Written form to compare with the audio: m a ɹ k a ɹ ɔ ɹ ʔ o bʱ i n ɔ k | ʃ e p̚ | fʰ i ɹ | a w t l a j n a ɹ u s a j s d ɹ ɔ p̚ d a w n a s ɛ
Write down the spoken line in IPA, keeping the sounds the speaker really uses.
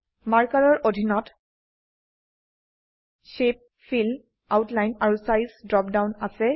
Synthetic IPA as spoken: m a ɹ k a ɹ ɔ ɹ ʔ o dʱ i n ɔ t | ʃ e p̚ | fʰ i l | a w t l a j n a ɹ u s a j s d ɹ ɔ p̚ d a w n a s ɛ